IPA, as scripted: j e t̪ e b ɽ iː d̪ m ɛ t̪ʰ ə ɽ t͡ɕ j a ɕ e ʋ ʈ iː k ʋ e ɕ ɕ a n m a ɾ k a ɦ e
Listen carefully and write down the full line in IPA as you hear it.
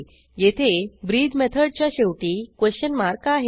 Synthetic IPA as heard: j e t̪ʰ e b ɾ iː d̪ m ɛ t̪ʰ ə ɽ t͡ɕ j a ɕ e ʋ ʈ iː k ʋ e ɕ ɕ ə n m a ɾ k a ɦ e